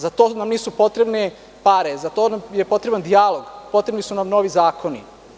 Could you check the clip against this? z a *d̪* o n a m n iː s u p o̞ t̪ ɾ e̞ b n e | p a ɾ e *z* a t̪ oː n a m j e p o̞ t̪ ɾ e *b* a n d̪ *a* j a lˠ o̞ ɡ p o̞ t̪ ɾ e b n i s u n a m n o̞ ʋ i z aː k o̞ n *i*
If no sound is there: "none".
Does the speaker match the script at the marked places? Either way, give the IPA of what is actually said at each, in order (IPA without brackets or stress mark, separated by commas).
t̪, z, b, i, i